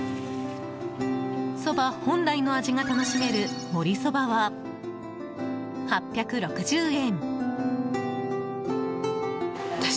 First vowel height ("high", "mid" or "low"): mid